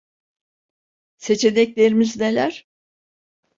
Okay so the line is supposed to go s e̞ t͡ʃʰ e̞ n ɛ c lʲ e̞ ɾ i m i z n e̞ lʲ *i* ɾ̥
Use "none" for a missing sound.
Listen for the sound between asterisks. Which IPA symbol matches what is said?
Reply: æ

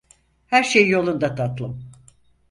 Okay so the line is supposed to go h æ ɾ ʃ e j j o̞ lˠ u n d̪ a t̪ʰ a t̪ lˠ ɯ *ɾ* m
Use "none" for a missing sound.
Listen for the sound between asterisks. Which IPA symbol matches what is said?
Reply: none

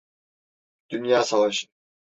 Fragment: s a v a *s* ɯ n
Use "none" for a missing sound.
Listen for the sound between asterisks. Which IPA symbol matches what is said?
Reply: ʃ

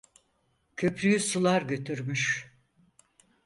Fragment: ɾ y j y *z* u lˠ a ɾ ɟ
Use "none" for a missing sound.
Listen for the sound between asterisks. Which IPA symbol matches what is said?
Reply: s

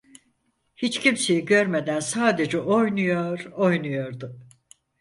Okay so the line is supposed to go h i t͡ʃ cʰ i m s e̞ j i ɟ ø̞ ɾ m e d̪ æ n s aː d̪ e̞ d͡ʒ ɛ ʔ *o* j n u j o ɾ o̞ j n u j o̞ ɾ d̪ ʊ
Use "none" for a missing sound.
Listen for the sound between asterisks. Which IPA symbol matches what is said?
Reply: o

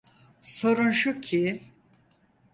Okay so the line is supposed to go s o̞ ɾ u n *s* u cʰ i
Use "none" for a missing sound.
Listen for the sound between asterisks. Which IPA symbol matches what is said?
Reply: ʃ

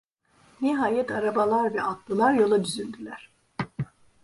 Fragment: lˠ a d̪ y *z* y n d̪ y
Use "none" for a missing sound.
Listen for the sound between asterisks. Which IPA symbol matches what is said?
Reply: z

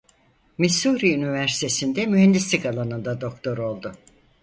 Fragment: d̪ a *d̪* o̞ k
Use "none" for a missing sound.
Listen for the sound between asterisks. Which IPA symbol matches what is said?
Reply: d̪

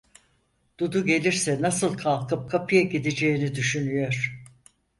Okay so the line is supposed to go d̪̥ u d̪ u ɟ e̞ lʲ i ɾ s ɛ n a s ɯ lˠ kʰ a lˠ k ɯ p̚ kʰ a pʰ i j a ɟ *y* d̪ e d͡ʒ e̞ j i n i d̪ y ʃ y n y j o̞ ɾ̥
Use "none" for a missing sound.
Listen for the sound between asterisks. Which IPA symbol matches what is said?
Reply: i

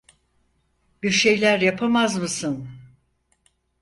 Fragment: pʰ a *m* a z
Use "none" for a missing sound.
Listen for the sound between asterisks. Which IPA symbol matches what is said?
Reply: m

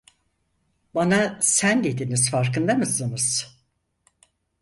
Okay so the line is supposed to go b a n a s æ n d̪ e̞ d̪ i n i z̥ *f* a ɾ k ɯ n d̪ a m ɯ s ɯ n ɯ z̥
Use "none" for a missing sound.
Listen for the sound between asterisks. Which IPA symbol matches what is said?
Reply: f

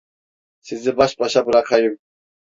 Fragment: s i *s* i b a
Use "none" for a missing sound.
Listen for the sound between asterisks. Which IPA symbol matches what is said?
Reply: z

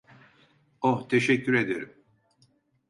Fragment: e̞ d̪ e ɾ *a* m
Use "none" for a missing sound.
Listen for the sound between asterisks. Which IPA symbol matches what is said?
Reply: i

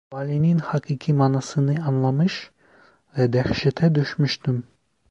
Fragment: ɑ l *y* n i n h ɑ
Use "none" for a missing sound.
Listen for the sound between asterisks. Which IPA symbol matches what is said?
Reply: i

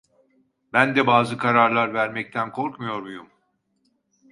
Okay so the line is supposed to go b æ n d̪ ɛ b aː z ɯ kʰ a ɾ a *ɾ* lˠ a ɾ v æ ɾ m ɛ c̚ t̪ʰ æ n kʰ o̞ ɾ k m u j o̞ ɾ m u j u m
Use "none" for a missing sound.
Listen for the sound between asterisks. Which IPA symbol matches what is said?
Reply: ɾ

